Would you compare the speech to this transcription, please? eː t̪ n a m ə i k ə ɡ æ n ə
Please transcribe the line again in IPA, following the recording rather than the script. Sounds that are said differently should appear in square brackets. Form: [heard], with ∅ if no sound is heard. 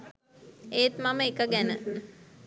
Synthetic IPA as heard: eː t̪ [m] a m ə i k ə ɡ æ n ə